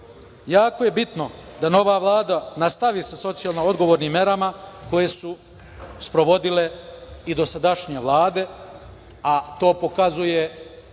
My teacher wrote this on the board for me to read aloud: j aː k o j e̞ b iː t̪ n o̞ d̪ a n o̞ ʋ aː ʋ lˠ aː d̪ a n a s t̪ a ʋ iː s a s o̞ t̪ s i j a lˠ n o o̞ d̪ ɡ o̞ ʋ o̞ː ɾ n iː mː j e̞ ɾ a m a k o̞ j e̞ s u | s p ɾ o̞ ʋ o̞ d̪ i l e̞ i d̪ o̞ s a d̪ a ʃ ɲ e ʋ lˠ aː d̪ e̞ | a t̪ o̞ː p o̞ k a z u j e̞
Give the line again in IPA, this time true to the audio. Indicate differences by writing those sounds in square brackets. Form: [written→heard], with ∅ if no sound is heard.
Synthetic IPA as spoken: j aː k o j e̞ b [iː→i] t̪ n o̞ d̪ a n o̞ ʋ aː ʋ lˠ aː d̪ a n a s t̪ a ʋ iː s a s o̞ t̪ s i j a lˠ n o o̞ d̪ ɡ o̞ ʋ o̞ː ɾ n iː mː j e̞ ɾ a m a k o̞ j e̞ s u | s p ɾ o̞ ʋ o̞ d̪ i l e̞ i d̪ o̞ s a d̪ a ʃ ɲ e ʋ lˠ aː d̪ e̞ | a t̪ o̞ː p o̞ k a z u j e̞

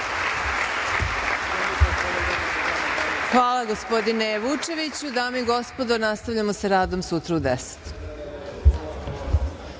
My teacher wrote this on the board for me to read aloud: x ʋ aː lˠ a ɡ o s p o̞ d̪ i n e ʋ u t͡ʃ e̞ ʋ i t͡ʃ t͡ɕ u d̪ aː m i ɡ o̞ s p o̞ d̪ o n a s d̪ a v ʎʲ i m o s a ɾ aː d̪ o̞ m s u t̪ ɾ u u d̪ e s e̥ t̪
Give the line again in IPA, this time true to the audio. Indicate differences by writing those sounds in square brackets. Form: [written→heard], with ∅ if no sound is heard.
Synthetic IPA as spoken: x ʋ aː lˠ a ɡ o s p o̞ d̪ i n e ʋ u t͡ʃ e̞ ʋ i [t͡ʃ→∅] t͡ɕ u d̪ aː m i ɡ o̞ s p o̞ d̪ o n a s [d̪→t̪] a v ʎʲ [i→a] m o s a ɾ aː d̪ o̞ m s u t̪ ɾ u u d̪ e s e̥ t̪

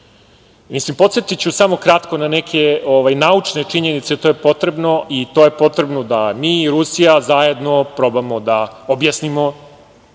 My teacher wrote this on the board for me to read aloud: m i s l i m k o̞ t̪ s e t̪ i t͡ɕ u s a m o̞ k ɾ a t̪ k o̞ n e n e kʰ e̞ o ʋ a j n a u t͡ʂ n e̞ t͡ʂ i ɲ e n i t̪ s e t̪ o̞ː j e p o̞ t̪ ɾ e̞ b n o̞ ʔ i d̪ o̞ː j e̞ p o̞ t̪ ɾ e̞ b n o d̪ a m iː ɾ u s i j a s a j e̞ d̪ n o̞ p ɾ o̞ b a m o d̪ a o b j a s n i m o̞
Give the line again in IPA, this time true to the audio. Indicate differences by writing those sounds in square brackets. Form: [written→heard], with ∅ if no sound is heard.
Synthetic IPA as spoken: m i s l i m [k→p] o̞ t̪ s e t̪ i t͡ɕ u s a m o̞ k ɾ a t̪ k o̞ n [e→a] n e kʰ e̞ o ʋ a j n a u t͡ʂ n e̞ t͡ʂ i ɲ e n i t̪ s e t̪ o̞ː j e p o̞ t̪ ɾ e̞ b n o̞ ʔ i [d̪→t̪] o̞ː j e̞ p o̞ t̪ ɾ e̞ b n o d̪ a m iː ɾ u s i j a [s→z] a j e̞ d̪ n o̞ p ɾ o̞ b a m o d̪ a o b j a s n i m o̞

